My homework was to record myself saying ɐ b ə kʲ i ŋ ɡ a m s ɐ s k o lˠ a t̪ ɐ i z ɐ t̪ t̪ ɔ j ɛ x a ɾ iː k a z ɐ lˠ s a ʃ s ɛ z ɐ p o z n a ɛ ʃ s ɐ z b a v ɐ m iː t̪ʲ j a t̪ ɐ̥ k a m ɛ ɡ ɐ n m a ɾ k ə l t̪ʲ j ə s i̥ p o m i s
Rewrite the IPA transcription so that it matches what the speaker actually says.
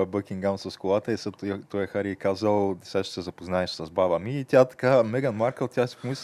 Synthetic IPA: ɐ b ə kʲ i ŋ ɡ a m s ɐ s k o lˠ a t̪ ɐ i s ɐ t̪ t̪ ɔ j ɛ x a ɾ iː k a z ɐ lˠ s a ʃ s ɛ z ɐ p o z n a ɛ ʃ s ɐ z b a v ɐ m iː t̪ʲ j a t̪ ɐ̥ k a m ɛ ɡ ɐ n m a ɾ k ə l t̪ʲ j a s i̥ p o m i s